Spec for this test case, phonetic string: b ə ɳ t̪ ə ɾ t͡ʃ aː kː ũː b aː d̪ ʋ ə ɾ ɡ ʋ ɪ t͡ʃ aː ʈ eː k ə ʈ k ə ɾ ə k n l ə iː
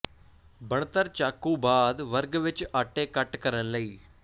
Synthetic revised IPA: b ə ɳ t̪ ə ɾ t͡ʃ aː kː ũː b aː d̪ ʋ ə ɾ ɡ ʋ ɪ t͡ʃ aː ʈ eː k ə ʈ k ə ɾ ə n l ə iː